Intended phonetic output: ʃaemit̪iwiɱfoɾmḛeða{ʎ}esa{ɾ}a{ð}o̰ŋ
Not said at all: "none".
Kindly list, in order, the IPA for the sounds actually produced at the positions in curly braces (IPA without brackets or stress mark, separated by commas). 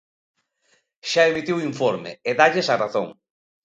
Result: ʎ, r, θ